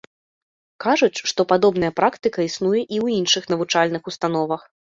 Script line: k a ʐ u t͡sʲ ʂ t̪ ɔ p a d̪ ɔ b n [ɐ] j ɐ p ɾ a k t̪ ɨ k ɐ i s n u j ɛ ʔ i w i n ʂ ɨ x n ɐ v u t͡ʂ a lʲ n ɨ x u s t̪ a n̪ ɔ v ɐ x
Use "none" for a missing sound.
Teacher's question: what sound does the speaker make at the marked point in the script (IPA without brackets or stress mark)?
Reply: ɐ